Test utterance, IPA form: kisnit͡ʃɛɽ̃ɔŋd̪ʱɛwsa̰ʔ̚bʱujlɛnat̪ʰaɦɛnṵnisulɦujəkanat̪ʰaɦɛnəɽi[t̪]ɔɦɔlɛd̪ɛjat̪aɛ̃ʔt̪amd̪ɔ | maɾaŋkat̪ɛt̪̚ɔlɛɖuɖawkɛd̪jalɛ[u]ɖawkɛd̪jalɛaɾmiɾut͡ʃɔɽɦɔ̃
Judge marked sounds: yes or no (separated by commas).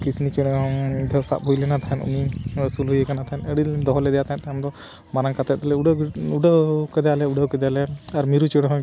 no, yes